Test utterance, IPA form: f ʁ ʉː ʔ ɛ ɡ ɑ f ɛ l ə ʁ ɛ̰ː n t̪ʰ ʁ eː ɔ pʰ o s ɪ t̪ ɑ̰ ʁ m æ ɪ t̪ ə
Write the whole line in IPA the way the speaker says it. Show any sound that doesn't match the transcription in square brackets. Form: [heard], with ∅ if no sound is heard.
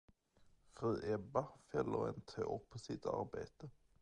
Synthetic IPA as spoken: f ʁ ʉː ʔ ɛ [b] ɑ f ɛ l ə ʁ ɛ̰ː n t̪ʰ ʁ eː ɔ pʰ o s ɪ t̪ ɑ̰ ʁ [b] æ ɪ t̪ ə